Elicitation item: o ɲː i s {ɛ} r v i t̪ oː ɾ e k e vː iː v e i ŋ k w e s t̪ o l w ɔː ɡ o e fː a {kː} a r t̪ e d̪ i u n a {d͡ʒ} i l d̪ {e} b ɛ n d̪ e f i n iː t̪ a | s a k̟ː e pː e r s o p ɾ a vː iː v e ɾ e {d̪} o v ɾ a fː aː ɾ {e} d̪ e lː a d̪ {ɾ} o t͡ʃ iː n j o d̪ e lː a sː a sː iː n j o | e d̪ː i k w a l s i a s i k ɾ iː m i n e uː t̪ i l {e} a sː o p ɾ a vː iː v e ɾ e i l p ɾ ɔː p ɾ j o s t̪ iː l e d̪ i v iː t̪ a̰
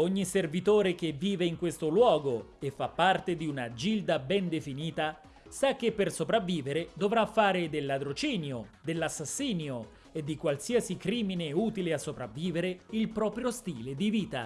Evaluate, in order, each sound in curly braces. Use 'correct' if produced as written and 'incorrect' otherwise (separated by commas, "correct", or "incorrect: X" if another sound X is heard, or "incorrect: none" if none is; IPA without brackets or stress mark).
incorrect: e, incorrect: pː, correct, incorrect: a, correct, correct, correct, correct